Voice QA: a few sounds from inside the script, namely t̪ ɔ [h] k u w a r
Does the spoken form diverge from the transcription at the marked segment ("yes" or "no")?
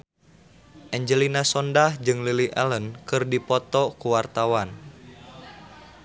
yes